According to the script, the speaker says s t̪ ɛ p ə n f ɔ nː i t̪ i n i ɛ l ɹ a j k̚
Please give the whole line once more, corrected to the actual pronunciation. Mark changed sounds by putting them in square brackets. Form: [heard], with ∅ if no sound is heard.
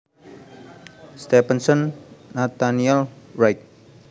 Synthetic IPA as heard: s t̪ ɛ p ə n [s] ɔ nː [a] t̪ [a] n i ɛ l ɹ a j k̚